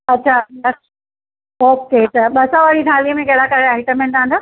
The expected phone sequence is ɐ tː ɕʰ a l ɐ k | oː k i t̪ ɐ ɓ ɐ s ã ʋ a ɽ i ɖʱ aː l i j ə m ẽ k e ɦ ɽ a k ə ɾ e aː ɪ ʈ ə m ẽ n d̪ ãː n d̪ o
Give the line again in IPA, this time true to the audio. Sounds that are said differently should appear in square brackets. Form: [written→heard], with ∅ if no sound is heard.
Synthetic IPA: ɐ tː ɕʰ a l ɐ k | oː k [i→e] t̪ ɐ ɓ ɐ s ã ʋ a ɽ i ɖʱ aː l i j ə m ẽ k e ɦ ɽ a k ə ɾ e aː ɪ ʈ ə m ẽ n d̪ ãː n d̪ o